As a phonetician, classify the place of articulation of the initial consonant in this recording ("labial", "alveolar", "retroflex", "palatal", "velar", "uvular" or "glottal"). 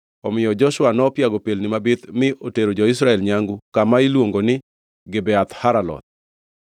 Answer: labial